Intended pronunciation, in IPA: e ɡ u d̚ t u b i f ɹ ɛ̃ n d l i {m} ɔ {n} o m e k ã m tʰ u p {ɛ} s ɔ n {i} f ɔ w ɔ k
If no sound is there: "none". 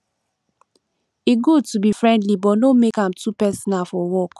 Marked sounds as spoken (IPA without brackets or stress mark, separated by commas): b, n, ɛ, a